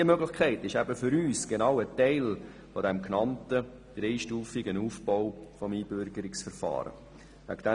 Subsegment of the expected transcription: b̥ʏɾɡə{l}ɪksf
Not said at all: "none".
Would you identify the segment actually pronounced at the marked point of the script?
ɾ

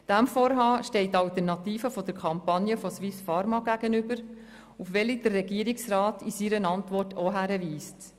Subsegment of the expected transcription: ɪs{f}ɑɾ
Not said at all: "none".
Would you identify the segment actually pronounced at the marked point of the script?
f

